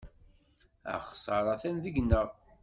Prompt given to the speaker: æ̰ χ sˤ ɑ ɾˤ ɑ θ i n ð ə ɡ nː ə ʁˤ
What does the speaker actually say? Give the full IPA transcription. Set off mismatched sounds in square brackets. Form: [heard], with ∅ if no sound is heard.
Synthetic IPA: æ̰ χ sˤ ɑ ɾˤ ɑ θ [æ] n ð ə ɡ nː ə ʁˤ